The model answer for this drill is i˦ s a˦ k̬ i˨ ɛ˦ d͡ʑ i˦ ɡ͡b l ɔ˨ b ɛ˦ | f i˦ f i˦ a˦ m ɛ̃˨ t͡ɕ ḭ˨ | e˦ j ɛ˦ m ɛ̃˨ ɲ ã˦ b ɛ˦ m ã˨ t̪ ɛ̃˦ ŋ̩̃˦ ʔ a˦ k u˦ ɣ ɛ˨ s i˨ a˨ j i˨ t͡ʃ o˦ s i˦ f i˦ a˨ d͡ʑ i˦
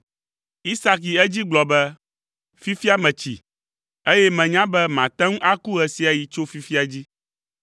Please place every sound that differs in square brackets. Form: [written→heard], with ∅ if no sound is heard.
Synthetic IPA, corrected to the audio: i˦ s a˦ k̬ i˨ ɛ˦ d͡ʑ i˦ ɡ͡b l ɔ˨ b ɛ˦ | f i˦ f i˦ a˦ m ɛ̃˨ t͡ɕ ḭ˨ | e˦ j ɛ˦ m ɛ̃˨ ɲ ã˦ b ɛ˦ m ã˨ t̪ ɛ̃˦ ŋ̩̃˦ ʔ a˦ k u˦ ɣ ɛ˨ s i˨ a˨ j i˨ t͡ʃ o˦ [s→f] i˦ f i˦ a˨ d͡ʑ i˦